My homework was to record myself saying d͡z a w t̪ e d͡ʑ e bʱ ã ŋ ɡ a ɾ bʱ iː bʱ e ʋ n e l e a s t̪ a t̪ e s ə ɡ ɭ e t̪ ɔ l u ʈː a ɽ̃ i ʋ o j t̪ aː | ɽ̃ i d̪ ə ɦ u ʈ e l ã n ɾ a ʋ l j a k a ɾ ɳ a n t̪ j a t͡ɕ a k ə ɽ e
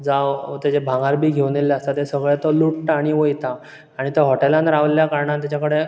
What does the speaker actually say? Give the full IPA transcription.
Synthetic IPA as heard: d͡z a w t̪ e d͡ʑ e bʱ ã ŋ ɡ a ɾ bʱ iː ɡʱ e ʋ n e l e a s t̪ a t̪ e s ə ɡ ɭ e t̪ ɔ l u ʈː a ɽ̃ i ʋ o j t̪ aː | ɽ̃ i t̪ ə ɦ ɔ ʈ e l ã n ɾ a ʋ l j a k a ɾ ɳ a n t̪ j a t͡ɕ a k ə ɽ e